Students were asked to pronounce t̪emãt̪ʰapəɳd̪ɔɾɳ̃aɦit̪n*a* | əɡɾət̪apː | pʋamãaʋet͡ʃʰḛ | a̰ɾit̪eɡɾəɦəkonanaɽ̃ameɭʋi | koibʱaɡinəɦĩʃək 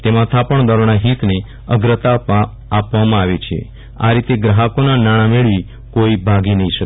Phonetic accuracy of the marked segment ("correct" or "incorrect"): incorrect